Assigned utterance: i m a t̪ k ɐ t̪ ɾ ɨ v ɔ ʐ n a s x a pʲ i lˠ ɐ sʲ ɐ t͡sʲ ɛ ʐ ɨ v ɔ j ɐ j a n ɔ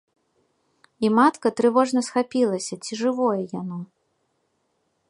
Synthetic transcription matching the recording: i m a t̪ k ɐ t̪ ɾ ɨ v ɔ ʐ n ɐ s x a pʲ i lˠ ɐ sʲ ɐ t͡sʲ i ʐ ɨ v ɔ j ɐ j a n ɔ